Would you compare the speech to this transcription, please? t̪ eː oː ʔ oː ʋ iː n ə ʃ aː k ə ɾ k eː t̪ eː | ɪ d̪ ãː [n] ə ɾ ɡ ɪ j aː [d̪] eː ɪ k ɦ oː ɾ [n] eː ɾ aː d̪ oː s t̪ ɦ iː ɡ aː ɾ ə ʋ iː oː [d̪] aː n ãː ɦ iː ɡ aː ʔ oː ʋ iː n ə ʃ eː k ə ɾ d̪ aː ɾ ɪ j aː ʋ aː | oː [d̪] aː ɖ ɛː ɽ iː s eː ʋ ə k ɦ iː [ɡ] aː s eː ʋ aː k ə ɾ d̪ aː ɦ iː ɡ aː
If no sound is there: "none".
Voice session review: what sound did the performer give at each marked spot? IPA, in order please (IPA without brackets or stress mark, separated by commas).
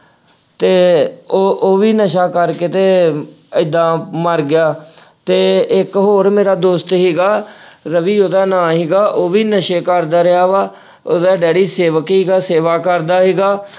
m, t̪, m, d̪, d̪, ɡ